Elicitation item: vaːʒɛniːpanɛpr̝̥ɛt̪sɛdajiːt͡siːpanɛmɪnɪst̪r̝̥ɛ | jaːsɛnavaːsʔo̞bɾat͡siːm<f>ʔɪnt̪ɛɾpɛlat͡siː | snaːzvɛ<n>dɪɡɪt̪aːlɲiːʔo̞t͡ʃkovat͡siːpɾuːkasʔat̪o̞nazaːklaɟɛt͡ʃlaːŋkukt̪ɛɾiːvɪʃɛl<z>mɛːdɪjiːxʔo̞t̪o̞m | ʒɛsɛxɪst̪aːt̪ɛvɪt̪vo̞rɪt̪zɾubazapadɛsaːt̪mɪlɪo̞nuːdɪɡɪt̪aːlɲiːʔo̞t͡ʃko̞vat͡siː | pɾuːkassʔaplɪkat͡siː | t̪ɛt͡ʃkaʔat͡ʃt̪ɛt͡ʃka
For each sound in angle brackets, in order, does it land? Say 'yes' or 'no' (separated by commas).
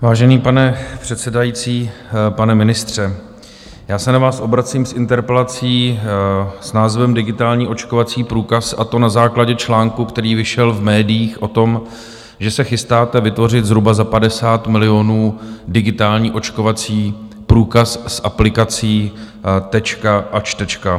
no, no, no